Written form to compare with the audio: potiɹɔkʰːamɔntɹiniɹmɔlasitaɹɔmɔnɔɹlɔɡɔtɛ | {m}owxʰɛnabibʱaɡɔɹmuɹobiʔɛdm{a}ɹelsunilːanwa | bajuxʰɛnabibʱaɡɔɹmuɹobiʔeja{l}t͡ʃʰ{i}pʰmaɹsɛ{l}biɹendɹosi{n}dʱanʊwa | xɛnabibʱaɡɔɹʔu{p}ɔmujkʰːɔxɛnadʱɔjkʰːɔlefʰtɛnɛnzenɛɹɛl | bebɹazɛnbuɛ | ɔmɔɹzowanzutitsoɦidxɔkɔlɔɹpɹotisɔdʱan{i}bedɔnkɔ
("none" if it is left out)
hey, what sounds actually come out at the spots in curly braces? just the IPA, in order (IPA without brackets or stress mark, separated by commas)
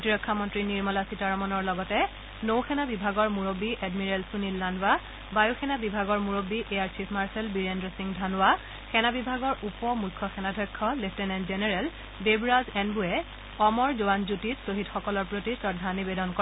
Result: n, i, ɹ, i, l, ŋ, p, i